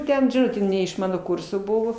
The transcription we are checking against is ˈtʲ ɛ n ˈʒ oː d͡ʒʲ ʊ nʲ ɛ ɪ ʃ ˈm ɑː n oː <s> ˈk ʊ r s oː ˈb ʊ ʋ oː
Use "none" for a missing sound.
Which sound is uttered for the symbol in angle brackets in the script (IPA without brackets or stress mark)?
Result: none